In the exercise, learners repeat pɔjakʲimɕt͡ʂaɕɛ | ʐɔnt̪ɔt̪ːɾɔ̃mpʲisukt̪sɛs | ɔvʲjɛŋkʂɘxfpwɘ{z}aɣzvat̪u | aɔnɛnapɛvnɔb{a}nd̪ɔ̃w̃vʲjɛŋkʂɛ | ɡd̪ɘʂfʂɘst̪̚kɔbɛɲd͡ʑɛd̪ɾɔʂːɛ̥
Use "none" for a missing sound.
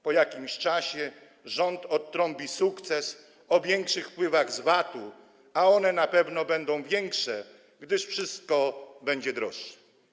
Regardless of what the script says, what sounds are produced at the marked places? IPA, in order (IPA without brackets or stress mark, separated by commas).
v, ɛ